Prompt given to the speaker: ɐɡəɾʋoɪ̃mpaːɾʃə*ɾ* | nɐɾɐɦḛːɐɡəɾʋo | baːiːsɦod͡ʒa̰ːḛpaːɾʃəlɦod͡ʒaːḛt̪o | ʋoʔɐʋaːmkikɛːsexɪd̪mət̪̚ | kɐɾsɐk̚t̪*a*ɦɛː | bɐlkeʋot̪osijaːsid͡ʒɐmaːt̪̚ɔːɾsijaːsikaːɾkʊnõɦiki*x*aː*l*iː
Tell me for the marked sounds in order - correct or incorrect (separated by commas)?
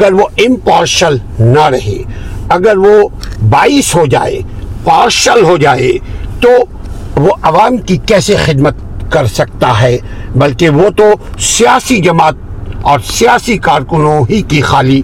incorrect, correct, correct, correct